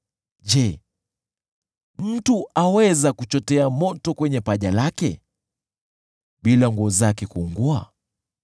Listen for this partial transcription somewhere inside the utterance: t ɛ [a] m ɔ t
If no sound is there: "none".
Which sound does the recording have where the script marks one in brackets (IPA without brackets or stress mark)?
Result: a